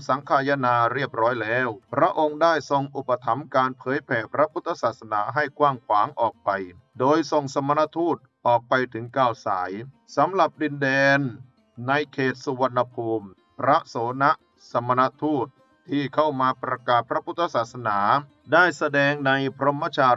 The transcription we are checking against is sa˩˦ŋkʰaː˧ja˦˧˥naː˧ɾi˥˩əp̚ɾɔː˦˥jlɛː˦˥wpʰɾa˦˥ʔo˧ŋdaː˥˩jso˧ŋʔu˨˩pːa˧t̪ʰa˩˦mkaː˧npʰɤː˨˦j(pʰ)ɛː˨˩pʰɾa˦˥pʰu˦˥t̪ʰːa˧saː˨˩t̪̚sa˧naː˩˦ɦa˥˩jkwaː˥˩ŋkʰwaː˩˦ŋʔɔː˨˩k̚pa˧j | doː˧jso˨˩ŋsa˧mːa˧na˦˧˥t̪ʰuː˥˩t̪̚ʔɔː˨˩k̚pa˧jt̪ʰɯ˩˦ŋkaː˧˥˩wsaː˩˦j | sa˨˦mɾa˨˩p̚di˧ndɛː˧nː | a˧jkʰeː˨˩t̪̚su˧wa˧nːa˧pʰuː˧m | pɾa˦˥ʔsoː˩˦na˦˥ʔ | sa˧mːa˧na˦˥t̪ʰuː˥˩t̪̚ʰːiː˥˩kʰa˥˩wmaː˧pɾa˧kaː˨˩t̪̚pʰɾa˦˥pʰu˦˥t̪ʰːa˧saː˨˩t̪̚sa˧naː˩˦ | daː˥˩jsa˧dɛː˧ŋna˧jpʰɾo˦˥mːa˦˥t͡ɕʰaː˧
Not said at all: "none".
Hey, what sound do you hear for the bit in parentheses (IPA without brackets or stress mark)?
pʰ